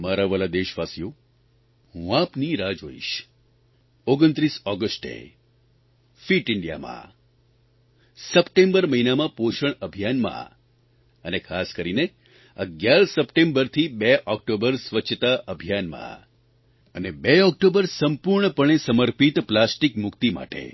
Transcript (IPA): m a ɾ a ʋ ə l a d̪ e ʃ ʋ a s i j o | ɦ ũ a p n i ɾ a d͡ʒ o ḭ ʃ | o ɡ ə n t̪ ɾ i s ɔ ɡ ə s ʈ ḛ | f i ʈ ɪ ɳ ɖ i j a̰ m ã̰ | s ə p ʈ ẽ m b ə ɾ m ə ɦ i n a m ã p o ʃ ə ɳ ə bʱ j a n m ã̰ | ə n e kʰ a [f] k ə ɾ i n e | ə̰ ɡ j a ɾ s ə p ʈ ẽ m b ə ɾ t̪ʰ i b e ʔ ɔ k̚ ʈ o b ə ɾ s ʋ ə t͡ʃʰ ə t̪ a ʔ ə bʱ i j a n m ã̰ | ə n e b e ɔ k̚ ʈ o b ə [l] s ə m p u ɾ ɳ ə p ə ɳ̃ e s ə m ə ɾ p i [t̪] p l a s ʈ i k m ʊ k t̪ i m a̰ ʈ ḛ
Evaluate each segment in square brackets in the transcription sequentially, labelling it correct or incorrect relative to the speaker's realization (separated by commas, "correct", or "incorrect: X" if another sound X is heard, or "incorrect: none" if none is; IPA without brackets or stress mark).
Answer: incorrect: s, incorrect: ɾ, correct